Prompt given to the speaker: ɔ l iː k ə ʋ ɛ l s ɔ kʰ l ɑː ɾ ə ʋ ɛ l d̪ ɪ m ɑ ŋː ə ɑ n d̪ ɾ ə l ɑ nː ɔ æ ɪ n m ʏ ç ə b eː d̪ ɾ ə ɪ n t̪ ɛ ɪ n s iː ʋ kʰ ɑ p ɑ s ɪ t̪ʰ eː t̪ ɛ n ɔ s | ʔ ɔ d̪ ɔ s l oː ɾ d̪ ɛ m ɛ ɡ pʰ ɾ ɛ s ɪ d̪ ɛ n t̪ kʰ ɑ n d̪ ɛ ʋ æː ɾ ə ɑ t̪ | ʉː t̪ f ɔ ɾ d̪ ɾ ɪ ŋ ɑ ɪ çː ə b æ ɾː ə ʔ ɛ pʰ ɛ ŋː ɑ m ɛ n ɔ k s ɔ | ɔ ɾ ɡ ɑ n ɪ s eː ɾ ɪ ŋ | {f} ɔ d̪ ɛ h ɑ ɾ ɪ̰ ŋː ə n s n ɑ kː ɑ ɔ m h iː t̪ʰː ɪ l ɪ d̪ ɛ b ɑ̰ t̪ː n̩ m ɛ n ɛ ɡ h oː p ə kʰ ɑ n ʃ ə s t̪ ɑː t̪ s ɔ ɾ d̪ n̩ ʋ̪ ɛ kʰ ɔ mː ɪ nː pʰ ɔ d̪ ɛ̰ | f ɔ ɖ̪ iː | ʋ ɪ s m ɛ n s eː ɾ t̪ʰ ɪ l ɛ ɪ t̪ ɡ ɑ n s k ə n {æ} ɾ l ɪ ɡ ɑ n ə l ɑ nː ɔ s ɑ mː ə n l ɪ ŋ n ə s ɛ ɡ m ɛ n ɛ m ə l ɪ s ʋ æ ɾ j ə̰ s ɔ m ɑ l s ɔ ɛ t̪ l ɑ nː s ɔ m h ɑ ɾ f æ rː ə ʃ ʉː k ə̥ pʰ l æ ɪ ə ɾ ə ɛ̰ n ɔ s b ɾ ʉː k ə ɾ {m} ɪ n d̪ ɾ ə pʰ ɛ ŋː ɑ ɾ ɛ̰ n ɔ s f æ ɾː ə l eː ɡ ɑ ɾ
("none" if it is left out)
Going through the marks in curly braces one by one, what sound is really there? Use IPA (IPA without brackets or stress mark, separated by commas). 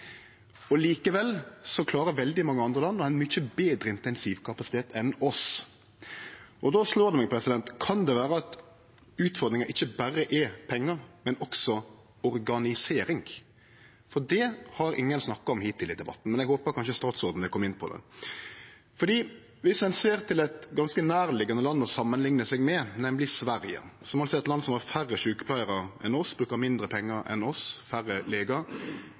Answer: f, æː, m